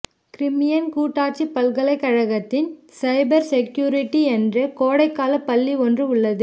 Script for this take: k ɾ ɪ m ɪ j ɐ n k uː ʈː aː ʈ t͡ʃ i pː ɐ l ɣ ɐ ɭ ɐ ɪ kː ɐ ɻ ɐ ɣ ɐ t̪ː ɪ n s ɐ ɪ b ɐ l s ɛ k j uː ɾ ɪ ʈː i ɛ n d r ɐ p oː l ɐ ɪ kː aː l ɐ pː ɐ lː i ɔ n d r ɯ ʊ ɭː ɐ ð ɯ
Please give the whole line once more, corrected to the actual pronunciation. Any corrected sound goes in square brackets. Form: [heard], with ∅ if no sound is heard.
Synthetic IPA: k ɾ ɪ m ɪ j ɐ n k uː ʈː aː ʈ t͡ʃ i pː ɐ l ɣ ɐ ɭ ɐ ɪ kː ɐ ɻ ɐ ɣ ɐ t̪ː ɪ n s ɐ ɪ b ɐ [ɾ] s ɛ k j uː ɾ ɪ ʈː i ɛ n d r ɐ [k] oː [ɽ] ɐ ɪ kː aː l ɐ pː ɐ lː i ɔ n d r ɯ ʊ ɭː ɐ ð ɯ